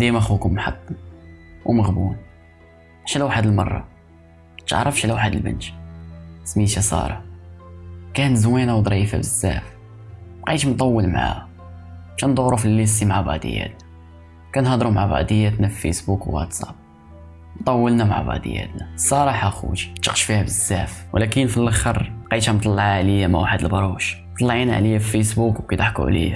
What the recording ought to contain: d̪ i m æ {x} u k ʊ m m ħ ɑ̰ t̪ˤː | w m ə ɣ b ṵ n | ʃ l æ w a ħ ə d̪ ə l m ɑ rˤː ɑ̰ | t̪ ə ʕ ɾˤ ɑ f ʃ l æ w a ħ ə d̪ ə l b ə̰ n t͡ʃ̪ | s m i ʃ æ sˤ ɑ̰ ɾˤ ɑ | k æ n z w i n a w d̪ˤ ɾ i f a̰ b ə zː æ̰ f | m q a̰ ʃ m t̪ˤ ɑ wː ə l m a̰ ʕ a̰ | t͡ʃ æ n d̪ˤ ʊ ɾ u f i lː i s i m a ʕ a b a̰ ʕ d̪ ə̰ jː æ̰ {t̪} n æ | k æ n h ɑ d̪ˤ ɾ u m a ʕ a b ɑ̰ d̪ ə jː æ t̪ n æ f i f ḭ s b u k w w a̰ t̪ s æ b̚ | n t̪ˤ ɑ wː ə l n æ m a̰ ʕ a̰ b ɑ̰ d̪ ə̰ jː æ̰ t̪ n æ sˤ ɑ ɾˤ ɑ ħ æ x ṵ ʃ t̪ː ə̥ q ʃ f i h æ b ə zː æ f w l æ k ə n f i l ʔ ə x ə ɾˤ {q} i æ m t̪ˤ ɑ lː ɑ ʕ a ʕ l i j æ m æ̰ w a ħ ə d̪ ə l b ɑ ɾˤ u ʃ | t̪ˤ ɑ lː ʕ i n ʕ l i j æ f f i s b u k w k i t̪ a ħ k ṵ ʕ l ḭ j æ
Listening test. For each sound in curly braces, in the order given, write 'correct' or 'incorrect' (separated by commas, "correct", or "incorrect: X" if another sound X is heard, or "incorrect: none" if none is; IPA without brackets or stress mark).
correct, correct, correct